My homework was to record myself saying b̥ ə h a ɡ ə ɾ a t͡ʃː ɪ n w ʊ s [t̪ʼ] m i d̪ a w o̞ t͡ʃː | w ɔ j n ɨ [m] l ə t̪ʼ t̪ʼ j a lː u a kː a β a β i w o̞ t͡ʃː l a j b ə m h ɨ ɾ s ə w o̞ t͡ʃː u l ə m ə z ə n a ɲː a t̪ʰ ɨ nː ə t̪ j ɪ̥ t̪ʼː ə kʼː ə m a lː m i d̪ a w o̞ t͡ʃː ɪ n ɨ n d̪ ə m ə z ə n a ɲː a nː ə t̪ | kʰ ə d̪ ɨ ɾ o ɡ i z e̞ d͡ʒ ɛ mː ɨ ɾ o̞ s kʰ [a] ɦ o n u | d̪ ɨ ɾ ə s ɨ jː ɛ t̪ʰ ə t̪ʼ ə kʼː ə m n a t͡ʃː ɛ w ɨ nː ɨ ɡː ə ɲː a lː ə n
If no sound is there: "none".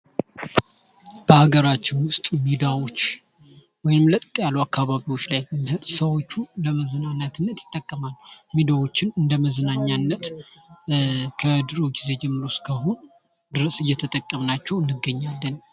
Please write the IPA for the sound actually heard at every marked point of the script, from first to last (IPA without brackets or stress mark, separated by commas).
t̪ʼ, m, ə